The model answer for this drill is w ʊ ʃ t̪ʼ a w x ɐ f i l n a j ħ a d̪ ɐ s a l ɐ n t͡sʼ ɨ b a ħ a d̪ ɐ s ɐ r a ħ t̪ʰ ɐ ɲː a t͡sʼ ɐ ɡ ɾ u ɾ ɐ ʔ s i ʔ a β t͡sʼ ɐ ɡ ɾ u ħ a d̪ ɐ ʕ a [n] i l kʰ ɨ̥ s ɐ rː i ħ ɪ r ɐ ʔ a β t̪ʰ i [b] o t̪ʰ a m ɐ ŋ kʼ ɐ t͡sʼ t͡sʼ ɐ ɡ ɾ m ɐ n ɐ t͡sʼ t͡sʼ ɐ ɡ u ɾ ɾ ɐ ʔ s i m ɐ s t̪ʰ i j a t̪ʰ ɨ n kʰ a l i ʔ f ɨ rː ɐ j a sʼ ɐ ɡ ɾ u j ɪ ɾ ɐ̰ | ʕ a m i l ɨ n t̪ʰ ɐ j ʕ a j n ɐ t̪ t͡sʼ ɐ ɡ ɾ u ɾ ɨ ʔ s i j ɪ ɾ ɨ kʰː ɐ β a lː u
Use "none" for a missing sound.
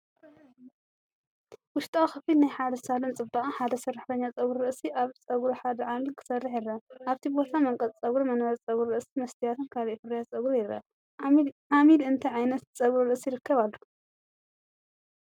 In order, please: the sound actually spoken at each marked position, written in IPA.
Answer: m, b

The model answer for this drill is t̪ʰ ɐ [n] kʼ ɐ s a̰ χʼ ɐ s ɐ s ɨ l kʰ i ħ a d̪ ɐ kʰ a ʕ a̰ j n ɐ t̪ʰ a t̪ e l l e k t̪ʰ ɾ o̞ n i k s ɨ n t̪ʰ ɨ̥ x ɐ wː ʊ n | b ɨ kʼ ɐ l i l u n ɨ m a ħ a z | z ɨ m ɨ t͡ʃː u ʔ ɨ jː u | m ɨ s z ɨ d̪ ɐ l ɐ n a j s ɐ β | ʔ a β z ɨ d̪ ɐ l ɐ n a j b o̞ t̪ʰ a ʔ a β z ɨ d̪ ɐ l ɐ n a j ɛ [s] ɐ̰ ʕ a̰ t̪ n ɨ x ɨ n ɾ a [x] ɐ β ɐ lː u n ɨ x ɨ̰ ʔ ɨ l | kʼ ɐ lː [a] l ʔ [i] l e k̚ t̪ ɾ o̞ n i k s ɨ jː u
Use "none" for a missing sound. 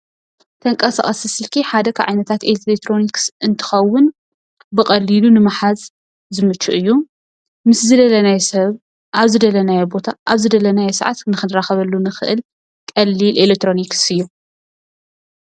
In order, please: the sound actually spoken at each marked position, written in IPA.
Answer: ŋ, s, x, i, e

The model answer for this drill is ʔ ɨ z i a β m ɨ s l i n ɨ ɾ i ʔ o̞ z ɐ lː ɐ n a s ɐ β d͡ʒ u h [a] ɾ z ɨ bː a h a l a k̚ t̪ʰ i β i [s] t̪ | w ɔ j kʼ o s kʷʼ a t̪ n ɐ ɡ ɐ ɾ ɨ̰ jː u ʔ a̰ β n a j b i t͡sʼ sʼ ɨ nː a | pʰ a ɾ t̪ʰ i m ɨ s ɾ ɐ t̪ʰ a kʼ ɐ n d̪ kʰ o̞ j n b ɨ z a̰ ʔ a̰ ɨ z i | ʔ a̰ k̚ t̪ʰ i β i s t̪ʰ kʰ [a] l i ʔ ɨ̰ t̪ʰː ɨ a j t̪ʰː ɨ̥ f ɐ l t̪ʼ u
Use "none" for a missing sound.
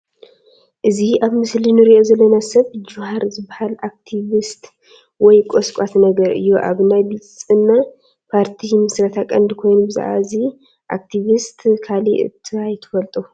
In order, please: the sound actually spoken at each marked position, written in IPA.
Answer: a, s, a

